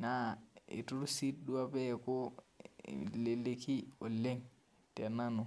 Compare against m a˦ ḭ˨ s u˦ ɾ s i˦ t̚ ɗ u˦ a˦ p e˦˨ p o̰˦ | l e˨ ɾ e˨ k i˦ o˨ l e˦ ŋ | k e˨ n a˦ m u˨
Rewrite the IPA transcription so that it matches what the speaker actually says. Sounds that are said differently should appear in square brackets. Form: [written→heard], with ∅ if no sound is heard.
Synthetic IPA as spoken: [m→n] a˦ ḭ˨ [s→t] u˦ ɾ s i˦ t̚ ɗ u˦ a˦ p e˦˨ [p→k] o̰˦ | l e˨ [ɾ→l] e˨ k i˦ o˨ l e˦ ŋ | [k→t] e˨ n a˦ [m→n] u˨